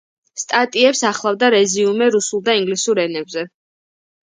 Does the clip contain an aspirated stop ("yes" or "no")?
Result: no